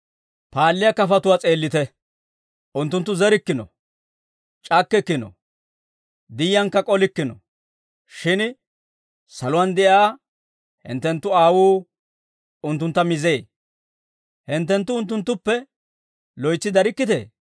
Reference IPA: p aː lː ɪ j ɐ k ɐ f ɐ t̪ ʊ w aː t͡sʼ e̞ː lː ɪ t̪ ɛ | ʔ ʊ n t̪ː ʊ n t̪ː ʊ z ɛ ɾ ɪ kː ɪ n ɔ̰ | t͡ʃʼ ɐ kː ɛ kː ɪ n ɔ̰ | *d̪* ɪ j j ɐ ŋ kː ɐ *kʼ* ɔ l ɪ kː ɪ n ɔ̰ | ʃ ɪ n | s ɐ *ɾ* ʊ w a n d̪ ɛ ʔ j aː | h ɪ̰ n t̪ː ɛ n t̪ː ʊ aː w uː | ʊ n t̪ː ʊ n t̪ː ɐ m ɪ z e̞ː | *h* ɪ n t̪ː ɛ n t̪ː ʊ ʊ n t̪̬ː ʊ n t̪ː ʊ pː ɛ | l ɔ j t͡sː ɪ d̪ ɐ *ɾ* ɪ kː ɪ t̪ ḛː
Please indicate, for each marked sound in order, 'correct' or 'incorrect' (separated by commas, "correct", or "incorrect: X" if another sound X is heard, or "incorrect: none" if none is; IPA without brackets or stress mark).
correct, correct, incorrect: l, correct, correct